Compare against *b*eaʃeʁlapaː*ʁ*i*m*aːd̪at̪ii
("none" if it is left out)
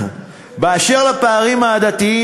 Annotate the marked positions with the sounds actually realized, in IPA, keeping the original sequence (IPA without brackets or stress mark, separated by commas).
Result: b, ʁ, m